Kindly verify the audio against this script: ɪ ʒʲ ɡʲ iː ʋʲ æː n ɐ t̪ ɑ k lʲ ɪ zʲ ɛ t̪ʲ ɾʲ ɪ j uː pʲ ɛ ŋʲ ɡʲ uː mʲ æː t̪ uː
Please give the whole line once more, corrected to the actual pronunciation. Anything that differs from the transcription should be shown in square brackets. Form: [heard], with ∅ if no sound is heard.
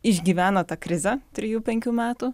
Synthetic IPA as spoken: ɪ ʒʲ ɡʲ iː ʋʲ æː n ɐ t̪ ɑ k [ɾʲ] ɪ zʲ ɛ t̪ʲ ɾʲ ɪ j uː pʲ ɛ ŋʲ [kʲ] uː mʲ æː t̪ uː